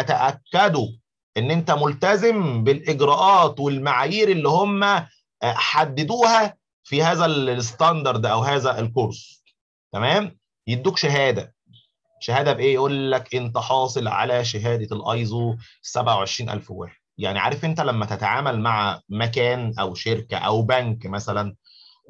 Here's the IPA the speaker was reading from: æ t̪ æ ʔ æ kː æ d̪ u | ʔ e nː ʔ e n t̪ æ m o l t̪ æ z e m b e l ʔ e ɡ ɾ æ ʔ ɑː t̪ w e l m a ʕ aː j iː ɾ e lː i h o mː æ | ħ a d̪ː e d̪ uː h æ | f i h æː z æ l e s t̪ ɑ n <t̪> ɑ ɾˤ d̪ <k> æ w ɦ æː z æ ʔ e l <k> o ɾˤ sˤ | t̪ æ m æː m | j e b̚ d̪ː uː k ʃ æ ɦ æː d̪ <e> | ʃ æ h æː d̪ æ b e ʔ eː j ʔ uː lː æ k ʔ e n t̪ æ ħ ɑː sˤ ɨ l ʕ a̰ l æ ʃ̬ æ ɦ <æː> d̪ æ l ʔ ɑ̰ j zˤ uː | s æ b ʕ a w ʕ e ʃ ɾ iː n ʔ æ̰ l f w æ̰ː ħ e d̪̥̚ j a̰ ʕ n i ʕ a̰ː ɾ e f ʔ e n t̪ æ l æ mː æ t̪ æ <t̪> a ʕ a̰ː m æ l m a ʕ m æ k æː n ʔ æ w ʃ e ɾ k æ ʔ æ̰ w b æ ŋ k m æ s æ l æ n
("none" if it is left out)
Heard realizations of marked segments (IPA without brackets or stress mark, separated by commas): d̪, ʔ, k, æ, æː, t̪